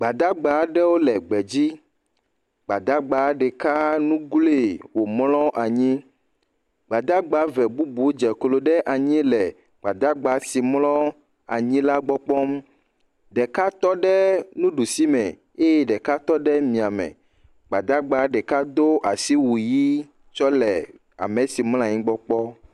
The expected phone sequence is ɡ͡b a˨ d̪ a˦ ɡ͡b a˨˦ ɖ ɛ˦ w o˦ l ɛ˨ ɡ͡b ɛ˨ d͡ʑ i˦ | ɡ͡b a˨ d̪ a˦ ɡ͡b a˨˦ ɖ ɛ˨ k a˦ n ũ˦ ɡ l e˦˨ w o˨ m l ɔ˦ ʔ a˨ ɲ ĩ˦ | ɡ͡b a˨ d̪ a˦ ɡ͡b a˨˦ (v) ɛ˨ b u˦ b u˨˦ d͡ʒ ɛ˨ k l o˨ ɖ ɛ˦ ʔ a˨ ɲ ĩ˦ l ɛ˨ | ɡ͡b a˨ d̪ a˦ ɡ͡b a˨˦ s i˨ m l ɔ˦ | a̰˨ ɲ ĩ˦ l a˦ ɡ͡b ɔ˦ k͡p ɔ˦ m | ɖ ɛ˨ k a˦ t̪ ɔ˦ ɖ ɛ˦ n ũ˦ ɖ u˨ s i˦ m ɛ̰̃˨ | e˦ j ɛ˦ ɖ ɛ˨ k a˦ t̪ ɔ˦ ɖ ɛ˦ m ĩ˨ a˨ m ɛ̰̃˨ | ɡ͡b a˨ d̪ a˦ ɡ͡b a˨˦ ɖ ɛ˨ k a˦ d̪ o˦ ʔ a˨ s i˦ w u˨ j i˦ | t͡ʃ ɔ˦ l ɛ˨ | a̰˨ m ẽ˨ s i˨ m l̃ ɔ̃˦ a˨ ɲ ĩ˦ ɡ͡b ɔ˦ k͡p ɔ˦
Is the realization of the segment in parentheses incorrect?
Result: no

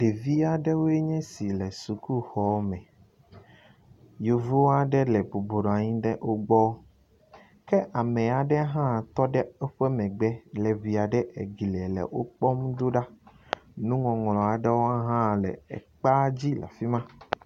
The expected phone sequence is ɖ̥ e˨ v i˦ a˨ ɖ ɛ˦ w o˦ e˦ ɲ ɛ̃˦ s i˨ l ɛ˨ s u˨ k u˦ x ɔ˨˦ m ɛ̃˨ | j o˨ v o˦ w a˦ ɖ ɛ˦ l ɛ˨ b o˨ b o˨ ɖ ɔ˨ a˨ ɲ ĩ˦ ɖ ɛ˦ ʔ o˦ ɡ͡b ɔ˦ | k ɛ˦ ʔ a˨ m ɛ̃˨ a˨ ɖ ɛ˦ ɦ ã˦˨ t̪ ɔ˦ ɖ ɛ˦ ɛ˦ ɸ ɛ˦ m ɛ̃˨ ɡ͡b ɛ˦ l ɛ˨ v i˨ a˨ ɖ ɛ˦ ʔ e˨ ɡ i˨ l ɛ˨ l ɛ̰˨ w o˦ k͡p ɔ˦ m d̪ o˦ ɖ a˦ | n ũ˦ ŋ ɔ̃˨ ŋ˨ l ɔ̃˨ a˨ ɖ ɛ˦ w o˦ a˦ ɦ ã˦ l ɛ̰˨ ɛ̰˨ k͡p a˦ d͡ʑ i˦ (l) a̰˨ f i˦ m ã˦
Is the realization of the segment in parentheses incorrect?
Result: no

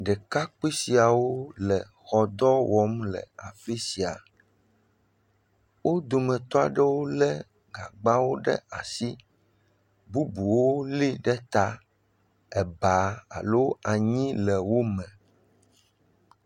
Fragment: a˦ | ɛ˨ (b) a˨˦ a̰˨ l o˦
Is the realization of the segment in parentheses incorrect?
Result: no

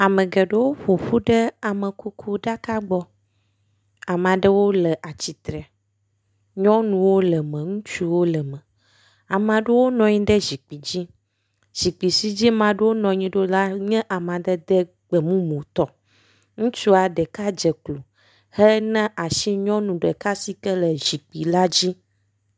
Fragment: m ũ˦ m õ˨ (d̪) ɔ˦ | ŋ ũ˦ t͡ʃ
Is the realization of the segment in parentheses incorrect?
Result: yes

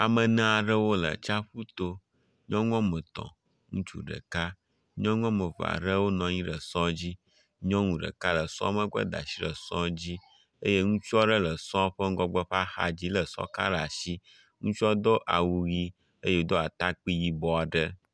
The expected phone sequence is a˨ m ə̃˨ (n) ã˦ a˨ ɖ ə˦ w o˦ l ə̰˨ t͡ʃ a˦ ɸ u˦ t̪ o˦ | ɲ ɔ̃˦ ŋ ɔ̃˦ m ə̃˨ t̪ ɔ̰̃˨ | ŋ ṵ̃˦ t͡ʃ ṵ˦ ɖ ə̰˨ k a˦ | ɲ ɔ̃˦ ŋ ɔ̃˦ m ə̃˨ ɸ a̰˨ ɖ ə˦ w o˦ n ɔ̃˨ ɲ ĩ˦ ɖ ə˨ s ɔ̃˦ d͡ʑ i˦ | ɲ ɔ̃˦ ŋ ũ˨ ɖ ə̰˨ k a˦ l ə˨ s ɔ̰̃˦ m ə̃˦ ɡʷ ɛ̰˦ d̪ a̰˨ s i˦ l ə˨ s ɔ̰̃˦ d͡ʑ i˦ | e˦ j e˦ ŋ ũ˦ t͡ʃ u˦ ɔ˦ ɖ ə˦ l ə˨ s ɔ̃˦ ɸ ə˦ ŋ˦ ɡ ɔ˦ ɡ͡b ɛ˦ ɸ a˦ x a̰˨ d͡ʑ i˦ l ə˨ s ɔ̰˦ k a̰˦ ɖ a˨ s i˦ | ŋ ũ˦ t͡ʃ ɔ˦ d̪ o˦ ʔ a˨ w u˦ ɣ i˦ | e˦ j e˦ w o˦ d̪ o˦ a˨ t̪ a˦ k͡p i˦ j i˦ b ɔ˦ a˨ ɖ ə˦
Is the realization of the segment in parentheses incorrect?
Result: no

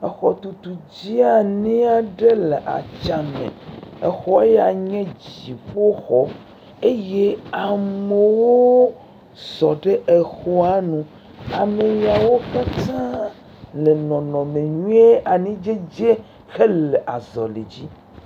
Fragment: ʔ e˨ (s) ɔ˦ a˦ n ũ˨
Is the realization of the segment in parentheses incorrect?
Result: yes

